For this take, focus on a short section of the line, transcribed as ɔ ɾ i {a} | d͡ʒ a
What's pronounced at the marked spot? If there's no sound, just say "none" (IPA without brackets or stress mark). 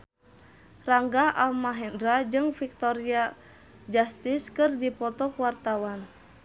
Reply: a